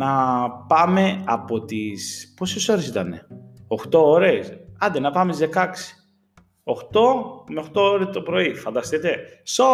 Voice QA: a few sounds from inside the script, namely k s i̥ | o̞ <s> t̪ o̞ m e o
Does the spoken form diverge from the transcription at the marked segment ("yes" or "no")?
yes